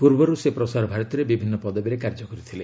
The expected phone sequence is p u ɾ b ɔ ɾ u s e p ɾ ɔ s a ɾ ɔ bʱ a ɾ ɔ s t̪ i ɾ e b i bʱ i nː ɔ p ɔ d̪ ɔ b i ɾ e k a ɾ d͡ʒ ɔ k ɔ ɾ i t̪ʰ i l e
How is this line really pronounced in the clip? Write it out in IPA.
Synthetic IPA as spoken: p u ɾ b ɔ ɾ u s e p ɾ ɔ s a ɾ ɔ bʱ a ɾ ɔ t̪ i ɾ e b i bʱ i nː ɔ p ɔ d̪ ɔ b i ɾ e k a ɾ d͡ʒ ɔ k ɔ ɾ i t̪ʰ i l e